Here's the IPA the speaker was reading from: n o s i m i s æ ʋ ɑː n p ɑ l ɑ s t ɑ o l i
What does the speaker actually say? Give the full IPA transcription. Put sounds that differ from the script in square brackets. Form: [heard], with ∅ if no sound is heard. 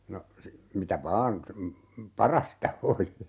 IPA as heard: n o s i m i [t] æ ʋ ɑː n p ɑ [r] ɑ s t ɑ o l i